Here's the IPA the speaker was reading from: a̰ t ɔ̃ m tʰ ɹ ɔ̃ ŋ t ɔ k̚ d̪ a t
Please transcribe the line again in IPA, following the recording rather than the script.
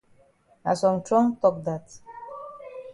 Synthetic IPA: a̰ s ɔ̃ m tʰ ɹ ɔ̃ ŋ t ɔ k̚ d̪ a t